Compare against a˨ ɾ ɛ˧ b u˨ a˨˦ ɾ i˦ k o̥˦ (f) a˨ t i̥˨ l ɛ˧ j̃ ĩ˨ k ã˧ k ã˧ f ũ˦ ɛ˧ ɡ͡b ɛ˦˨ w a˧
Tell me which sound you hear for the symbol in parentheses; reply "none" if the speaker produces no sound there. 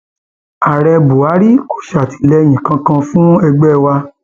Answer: ʃ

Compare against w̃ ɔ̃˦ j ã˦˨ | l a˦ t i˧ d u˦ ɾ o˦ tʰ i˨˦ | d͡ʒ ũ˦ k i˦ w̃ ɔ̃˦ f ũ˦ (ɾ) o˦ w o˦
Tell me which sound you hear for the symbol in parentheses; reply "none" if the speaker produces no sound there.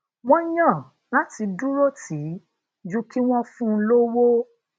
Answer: l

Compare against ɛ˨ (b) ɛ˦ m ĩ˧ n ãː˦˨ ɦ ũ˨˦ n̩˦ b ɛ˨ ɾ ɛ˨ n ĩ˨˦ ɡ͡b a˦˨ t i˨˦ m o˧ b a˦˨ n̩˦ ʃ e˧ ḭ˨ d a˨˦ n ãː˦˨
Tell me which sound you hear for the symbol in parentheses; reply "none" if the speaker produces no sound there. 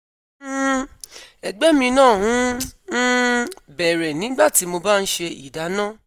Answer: ɡ͡b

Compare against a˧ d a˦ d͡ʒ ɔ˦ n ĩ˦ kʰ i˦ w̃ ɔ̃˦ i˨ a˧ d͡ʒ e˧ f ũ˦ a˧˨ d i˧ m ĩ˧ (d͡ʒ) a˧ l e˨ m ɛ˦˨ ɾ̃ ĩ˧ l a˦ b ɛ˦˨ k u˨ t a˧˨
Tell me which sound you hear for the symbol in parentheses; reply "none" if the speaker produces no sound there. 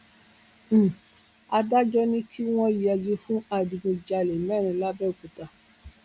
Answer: d͡ʒ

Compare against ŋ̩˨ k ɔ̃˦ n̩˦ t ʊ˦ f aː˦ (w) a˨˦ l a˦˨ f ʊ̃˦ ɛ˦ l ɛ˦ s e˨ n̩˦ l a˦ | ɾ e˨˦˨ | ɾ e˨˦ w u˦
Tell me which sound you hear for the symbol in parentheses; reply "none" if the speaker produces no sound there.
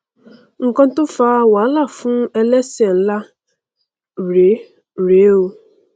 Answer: w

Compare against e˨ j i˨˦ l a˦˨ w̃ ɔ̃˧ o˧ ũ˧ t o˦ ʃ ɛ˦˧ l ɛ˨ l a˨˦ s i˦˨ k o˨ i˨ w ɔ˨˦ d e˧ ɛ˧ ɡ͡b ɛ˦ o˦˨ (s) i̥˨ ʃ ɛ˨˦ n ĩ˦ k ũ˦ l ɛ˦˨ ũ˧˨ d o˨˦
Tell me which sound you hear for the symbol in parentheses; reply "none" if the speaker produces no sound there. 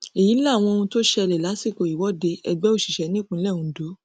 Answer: ʃ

